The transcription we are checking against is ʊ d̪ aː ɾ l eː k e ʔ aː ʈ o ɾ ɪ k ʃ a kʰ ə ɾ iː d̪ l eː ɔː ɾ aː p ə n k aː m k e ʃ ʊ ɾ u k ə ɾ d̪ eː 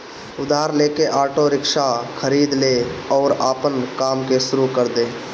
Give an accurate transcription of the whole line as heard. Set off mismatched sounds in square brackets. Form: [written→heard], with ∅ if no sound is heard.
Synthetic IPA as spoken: ʊ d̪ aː ɾ l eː k e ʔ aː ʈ o ɾ ɪ k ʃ a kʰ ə ɾ iː d̪ l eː ɔː ɾ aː p ə n k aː m k e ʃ ʊ ɾ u k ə ɾ d̪ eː